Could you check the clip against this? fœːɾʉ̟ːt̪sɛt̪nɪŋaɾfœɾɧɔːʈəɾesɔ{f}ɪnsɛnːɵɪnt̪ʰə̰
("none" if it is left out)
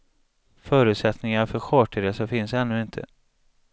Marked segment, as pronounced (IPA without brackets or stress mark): f